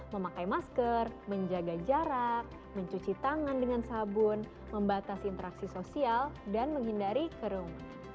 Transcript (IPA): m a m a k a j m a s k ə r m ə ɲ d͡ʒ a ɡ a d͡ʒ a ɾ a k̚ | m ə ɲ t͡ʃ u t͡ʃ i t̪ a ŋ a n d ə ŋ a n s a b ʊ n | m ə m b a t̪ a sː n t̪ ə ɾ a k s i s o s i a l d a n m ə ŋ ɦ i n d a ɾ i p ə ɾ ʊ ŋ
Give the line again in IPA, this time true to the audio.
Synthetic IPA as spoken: m ə m a k a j m a s k ə r m ə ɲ d͡ʒ a ɡ a d͡ʒ a ɾ a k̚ | m ə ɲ t͡ʃ u t͡ʃ i t̪ a ŋ a n d ə ŋ a n s a b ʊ n | m ə m b a t̪ a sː n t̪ ə ɾ a k s i s o s i a l d a n m ə ŋ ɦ i n d a ɾ i k ə ɾ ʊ ŋ